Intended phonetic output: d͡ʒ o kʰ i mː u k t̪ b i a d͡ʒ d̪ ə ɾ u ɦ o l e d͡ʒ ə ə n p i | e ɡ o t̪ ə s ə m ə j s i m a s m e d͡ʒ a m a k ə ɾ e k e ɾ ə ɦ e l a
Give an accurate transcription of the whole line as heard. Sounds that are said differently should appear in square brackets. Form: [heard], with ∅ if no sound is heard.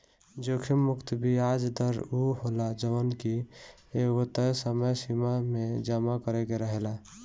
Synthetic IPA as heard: d͡ʒ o kʰ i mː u k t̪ b i a d͡ʒ d̪ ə ɾ u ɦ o l [a] d͡ʒ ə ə n [k] i | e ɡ o t̪ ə s ə m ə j s i m a [∅] m e d͡ʒ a m a k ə ɾ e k e ɾ ə ɦ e l a